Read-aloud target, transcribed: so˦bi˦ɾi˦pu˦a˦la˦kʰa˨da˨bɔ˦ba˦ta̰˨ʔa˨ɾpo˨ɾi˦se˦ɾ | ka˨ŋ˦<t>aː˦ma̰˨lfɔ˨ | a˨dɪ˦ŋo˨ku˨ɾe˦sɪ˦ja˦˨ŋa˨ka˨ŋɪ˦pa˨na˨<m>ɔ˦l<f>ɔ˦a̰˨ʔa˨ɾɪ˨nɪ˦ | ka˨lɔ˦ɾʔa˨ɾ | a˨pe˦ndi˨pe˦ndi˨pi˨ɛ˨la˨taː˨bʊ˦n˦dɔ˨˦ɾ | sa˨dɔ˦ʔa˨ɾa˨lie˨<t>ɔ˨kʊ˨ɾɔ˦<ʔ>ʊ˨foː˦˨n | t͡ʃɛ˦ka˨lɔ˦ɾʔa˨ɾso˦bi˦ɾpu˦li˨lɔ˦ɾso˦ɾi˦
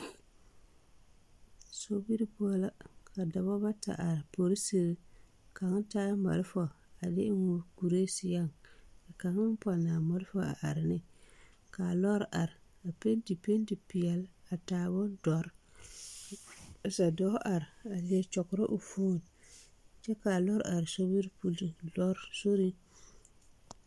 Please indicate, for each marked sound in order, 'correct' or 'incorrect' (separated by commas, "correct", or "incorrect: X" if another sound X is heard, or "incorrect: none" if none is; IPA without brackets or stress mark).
correct, correct, correct, incorrect: t͡ʃ, correct